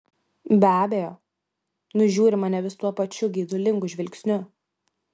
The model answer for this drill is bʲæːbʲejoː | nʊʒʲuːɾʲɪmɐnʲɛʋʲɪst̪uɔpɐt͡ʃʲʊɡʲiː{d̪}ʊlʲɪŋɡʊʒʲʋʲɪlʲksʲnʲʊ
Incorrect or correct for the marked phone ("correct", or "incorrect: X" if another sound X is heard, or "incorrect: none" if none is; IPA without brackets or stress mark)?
correct